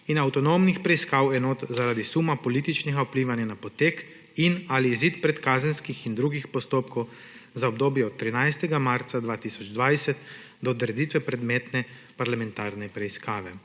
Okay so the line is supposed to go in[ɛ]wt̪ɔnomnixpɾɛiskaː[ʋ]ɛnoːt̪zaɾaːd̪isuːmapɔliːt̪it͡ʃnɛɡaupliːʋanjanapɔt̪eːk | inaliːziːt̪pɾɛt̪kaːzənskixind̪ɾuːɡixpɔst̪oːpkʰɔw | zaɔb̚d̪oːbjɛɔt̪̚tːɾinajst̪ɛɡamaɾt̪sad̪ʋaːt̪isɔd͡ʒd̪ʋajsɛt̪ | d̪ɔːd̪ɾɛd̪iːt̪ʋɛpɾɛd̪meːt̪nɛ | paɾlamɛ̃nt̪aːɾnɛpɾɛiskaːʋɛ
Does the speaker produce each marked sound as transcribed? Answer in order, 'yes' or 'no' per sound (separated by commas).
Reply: no, no